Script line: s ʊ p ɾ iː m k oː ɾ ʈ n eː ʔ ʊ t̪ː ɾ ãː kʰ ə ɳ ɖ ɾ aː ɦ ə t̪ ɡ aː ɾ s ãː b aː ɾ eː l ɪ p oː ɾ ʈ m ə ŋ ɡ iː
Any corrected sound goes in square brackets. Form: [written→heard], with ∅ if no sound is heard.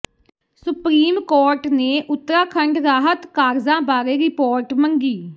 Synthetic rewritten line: s ʊ p ɾ iː m k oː ɾ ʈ n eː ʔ ʊ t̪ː ɾ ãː kʰ ə ɳ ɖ ɾ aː ɦ ə t̪ [ɡ→k] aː ɾ [s→z] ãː b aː ɾ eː [l→ɾ] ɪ p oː ɾ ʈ m ə ŋ ɡ iː